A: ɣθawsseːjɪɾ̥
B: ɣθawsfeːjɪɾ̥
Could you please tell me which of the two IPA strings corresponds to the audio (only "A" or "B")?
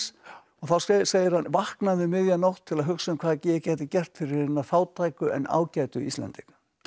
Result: A